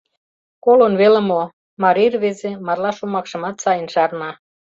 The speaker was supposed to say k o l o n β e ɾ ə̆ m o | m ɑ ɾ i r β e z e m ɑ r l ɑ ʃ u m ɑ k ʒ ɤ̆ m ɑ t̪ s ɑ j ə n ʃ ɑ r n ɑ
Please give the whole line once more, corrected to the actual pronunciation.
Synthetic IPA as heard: k o l o n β e l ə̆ m o | m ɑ ɾ i r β e z e m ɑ r l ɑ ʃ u m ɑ k ʃ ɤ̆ m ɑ t̪ s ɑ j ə n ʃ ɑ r n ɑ

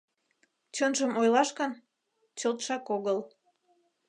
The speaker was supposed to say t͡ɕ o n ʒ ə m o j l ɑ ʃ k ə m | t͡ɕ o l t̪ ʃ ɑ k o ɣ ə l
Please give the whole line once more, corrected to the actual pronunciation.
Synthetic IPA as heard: t͡ɕ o n ʒ ə m o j l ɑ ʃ k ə n | t͡ɕ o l t̪ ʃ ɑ k o ɣ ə l

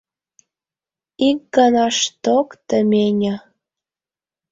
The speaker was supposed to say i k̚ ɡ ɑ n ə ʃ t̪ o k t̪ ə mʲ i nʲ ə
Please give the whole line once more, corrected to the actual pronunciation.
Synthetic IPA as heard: i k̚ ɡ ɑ n ɑ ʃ t̪ o k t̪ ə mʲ e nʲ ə

